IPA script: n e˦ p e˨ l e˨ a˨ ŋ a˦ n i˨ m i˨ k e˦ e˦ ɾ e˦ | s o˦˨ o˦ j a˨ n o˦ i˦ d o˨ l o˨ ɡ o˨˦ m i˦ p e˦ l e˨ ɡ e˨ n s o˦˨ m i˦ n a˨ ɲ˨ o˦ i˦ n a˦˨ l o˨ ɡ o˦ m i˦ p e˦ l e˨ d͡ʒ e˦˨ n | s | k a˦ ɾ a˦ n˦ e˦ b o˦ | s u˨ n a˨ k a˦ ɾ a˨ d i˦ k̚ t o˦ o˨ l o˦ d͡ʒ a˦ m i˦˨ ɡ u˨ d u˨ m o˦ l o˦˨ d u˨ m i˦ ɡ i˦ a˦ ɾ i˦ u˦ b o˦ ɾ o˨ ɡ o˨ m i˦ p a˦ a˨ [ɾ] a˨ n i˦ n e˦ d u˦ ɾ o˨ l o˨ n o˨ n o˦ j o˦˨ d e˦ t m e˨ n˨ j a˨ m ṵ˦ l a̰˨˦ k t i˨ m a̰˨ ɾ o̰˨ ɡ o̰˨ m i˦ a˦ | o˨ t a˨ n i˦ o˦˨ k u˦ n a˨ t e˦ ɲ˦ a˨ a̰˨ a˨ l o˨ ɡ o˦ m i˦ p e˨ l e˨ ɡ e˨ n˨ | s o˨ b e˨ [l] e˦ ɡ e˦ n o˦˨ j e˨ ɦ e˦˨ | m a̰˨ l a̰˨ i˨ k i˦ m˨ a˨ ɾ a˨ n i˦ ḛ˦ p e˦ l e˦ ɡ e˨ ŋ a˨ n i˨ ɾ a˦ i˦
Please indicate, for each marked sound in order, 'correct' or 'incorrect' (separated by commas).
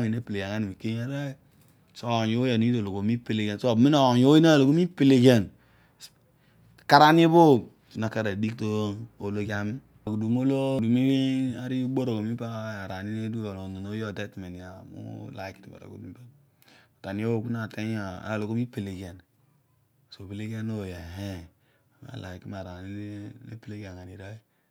correct, correct